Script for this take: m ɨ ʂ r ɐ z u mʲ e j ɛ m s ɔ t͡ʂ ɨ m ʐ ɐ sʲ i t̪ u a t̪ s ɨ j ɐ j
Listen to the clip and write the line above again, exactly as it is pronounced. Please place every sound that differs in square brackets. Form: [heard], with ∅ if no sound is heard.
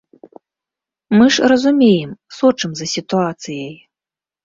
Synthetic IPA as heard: m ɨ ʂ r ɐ z u mʲ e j ɛ m s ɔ t͡ʂ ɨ m [z] ɐ sʲ i t̪ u a t̪ s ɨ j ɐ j